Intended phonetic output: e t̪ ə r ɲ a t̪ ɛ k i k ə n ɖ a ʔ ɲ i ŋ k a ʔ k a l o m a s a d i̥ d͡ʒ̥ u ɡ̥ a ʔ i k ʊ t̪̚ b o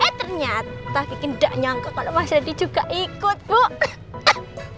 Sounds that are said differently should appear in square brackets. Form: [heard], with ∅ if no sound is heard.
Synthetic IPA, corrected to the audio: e t̪ ə r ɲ a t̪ [a] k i k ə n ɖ a ʔ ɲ [a] ŋ k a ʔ k a l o m a s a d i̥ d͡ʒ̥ u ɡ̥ a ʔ i k ʊ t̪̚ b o